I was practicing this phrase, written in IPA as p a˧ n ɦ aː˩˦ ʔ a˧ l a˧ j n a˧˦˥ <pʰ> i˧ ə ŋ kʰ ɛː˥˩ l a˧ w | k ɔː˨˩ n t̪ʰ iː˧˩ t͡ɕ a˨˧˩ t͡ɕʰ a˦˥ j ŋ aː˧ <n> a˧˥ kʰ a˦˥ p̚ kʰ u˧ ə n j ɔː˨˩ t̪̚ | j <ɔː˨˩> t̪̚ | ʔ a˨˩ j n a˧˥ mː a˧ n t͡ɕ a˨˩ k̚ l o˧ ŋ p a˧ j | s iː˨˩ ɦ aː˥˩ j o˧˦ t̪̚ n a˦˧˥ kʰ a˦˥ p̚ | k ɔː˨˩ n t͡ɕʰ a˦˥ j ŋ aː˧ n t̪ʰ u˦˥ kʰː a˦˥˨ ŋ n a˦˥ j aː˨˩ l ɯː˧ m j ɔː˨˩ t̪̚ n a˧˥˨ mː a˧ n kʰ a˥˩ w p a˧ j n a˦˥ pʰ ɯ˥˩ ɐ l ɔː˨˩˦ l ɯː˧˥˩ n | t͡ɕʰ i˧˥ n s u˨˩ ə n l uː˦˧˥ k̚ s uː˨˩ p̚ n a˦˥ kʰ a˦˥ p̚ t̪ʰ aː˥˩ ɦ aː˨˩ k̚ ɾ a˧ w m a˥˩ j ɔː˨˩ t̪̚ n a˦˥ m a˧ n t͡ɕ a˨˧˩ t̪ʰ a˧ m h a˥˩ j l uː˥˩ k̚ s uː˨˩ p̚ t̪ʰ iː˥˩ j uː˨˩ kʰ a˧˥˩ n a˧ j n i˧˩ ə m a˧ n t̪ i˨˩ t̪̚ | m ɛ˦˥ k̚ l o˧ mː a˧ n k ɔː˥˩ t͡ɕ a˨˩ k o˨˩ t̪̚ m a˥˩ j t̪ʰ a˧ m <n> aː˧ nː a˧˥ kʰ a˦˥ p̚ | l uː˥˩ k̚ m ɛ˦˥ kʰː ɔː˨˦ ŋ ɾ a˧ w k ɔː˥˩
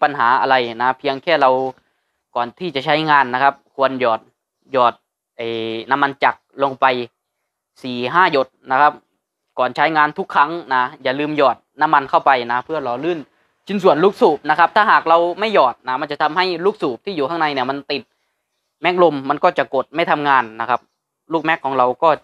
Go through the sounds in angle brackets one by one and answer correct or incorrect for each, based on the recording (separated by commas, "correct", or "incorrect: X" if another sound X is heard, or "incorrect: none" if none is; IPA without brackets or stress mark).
correct, incorrect: nː, correct, incorrect: ŋ